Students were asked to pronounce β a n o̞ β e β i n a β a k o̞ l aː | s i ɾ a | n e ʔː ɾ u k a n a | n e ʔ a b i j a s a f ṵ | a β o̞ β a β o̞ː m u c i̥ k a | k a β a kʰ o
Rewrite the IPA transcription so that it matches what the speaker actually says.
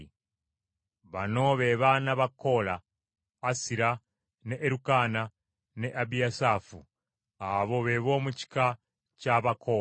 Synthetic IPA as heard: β a n o̞ β e β a n a β a k o̞ l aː | s i ɾ a | n e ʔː ɾ u k a n a | n e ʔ a b i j a s a f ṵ | a β o̞ β e β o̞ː m u c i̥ k a | c a β a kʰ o